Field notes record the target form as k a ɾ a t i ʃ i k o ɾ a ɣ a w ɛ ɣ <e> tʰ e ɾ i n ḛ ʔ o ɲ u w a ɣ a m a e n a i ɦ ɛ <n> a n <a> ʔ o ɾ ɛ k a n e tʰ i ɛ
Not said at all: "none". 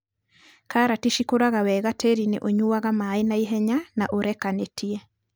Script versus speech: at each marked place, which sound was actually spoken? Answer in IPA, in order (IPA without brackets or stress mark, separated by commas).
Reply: a, ɲ, a